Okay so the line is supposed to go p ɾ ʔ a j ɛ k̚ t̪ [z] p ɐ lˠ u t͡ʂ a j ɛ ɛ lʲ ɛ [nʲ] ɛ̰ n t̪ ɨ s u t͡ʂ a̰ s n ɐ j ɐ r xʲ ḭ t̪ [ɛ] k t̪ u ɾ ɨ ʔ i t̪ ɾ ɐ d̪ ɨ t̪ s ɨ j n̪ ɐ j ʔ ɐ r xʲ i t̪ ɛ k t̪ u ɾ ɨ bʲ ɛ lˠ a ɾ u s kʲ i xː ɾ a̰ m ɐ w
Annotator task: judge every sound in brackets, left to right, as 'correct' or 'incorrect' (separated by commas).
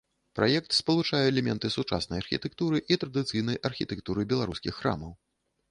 incorrect, incorrect, correct